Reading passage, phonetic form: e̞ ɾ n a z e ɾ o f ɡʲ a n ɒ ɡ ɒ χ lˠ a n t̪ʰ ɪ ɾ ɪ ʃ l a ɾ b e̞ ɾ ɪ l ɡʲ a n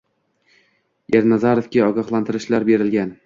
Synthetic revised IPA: e̞ ɾ n a z a ɾ o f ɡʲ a ɒ ɡ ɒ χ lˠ a n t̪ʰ ɪ ɾ ɪ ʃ l a ɾ b e̞ ɾ ɪ l ɡʲ a n